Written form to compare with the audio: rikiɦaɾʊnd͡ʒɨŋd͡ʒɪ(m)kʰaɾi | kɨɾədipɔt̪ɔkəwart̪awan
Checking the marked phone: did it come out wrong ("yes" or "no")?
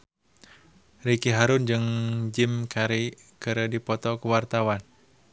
no